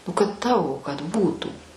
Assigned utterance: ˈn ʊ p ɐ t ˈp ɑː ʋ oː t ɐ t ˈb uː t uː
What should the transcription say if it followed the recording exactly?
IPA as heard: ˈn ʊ k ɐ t ˈt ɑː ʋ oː k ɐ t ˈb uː t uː